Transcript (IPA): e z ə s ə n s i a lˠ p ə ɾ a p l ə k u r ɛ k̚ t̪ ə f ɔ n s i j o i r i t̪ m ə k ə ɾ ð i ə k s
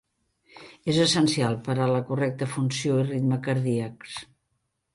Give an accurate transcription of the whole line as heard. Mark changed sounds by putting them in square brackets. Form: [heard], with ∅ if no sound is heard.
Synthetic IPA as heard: e z ə s ə n s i a lˠ p ə ɾ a [∅] l ə k u r ɛ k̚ t̪ ə f [u] n s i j o i r i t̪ m ə k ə ɾ ð i ə k s

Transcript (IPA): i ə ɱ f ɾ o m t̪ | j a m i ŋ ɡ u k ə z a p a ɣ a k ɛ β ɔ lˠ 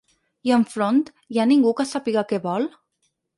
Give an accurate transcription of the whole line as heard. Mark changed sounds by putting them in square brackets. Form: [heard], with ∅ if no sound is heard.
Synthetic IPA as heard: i ə ɱ f ɾ o [n] t̪ | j a [n] i ŋ ɡ u k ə [s] a p [i] ɣ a k ɛ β ɔ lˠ

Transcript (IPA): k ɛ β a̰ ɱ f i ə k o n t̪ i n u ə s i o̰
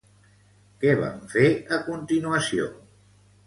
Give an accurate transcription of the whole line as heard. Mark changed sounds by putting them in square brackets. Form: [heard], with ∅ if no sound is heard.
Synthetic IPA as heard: k ɛ β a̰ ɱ f [e] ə k [u] n t̪ i n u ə s i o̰

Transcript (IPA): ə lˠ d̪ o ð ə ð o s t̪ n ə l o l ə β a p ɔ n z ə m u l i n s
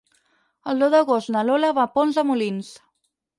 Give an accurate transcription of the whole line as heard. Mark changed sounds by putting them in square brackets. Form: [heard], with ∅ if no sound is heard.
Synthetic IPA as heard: ə lˠ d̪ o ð ə [ɣ] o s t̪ n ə l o l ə β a p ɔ n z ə m u l i n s

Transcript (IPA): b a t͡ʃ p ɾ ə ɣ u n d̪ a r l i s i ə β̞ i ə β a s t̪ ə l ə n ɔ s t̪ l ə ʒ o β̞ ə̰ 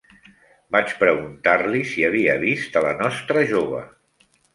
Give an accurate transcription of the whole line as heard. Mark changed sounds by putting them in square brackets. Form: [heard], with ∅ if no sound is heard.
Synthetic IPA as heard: b a t͡ʃ p ɾ ə ɣ u n [t̪] a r l i s i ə β̞ i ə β [i] s t̪ ə l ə n ɔ s t̪ [ɾ] ə ʒ o β̞ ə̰

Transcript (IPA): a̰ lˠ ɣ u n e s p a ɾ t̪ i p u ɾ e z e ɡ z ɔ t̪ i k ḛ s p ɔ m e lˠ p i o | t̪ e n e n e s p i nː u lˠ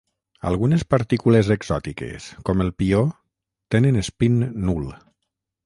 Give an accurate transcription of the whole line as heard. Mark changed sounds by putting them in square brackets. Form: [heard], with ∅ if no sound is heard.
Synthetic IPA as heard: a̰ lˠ ɣ u n e s p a ɾ t̪ i [k] u [l] e z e ɡ z ɔ t̪ i k ḛ s [k] ɔ m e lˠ p i o | t̪ e n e n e s p i nː u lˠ

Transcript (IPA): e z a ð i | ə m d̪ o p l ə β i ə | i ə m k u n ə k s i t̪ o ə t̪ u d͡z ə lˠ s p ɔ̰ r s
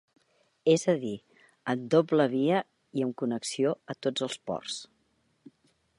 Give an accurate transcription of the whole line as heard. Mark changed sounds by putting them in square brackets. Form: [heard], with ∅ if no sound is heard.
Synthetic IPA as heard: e z [ə] ð i | ə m d̪ o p l ə β i ə | i ə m k u n ə k s i [∅] o ə t̪ [o] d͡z ə lˠ s p ɔ̰ r s

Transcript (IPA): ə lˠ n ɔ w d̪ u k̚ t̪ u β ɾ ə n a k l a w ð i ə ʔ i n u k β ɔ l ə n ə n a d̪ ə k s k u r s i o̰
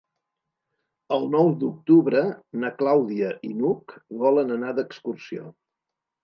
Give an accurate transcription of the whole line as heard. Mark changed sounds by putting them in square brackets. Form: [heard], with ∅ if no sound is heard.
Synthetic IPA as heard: ə lˠ n ɔ w d̪ u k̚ t̪ u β ɾ ə n [ə] k l a w ð i ə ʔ i n u k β ɔ l ə n ə n a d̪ ə k s k u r s i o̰

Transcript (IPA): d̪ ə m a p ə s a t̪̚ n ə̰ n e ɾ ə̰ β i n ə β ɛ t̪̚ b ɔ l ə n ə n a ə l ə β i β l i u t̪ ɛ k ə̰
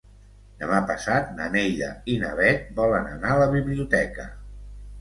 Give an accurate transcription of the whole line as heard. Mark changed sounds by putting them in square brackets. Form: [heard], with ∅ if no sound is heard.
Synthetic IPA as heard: d̪ ə m a p ə s a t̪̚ n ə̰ n e [ʎ] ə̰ [∅] i n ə β ɛ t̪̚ b ɔ l ə n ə n a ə l ə β i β l i u t̪ ɛ k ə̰

